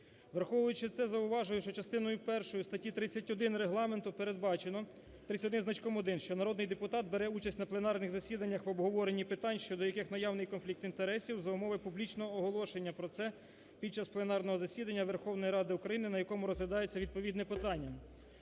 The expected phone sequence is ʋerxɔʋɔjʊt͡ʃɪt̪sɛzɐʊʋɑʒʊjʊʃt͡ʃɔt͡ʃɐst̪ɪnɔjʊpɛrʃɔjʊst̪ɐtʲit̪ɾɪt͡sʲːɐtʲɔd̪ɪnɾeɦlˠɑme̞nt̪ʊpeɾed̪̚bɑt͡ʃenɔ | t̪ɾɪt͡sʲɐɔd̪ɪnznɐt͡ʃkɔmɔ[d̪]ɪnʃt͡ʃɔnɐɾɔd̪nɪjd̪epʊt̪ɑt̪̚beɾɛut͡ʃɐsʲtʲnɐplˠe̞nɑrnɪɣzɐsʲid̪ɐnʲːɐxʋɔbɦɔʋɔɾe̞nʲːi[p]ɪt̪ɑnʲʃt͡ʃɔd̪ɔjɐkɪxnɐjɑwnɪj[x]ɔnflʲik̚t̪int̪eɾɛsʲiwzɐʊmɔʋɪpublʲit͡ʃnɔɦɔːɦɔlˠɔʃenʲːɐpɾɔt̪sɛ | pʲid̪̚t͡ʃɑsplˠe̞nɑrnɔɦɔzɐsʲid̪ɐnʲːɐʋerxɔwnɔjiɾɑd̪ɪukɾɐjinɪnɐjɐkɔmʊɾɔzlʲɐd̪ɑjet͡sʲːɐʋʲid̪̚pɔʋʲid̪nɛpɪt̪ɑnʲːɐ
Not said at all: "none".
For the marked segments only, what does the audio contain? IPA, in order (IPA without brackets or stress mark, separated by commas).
d̪, p, k